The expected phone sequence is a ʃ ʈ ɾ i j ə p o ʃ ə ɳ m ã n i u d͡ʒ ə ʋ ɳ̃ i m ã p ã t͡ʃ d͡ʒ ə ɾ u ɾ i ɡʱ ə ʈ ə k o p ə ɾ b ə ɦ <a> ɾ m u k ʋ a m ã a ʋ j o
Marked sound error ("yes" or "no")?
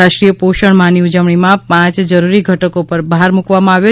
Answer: no